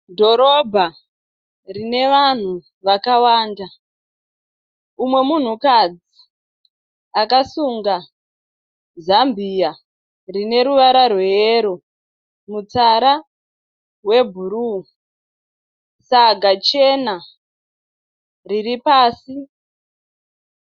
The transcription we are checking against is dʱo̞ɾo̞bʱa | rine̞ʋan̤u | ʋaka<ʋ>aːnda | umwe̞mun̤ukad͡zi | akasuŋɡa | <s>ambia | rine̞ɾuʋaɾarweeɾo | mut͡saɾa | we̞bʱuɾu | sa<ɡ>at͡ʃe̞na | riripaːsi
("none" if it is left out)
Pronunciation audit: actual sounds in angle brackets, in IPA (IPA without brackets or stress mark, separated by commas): w, z, ɡ